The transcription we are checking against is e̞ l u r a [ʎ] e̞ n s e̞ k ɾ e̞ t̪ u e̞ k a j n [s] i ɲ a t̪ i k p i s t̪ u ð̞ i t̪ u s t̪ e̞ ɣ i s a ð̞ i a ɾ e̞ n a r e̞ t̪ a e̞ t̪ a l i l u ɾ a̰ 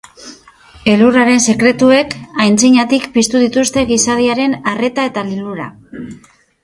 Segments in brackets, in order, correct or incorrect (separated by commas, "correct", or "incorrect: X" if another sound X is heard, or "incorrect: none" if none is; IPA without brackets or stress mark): incorrect: ɾ, incorrect: t͡s